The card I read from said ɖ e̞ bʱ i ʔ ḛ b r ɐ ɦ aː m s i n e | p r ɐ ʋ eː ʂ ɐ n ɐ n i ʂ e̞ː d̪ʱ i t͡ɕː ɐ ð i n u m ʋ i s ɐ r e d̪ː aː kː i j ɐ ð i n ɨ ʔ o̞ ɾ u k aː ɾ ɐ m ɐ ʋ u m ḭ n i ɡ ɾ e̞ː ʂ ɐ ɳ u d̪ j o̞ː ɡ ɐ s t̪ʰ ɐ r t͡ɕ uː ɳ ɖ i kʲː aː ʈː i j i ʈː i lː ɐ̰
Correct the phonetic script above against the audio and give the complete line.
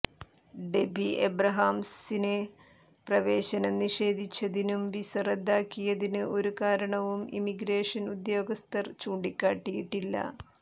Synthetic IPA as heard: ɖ e̞ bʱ i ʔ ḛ b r ɐ ɦ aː m s i n e | p r ɐ ʋ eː ɕ ɐ n ɐ n i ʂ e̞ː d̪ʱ i t͡ɕː ɐ ð i n u m ʋ i s ɐ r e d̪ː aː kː i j ɐ ð i n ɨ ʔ o̞ ɾ u k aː ɾ ɐ ɳ ɐ ʋ u m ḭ m i ɡ ɾ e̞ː ʂ ɐ n u d̪ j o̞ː ɡ ɐ s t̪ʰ ɐ r t͡ɕ uː ɳ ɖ i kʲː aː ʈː i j i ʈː i lː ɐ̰